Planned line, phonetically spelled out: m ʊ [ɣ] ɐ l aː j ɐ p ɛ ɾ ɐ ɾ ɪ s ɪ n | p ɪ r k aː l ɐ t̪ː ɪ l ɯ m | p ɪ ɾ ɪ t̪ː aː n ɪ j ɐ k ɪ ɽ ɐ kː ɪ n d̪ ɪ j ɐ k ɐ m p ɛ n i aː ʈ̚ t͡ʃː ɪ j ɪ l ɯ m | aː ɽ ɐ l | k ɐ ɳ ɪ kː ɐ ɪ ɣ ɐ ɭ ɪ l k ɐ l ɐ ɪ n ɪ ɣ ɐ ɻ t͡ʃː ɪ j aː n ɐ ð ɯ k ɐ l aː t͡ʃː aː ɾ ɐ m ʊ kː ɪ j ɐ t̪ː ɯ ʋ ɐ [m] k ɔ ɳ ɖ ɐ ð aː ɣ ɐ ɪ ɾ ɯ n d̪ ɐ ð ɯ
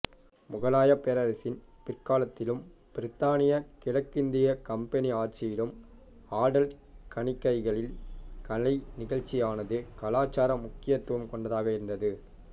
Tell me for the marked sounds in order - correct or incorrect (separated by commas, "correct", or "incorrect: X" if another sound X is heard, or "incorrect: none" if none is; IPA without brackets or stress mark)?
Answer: correct, correct